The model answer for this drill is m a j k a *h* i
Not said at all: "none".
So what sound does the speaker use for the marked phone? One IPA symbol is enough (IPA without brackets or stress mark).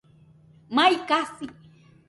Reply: s